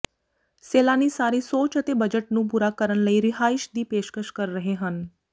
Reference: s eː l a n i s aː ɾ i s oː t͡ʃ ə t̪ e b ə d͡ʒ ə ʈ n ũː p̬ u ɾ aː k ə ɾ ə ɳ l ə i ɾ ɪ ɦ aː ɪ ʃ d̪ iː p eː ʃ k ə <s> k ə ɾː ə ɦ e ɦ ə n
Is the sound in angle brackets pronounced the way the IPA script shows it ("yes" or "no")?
no